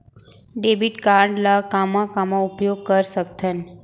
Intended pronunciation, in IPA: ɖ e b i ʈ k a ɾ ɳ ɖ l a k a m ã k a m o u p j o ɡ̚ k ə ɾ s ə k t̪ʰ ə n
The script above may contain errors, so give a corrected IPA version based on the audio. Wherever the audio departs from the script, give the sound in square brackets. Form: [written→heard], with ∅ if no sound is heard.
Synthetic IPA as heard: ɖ e b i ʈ k a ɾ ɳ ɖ l a k a m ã k a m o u p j o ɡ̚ k ə ɾ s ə k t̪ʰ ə n